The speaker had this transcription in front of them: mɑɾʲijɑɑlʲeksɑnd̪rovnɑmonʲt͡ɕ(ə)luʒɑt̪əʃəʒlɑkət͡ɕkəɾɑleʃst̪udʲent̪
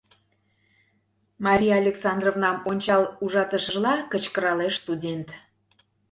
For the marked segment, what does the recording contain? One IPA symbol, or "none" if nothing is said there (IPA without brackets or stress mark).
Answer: ɑ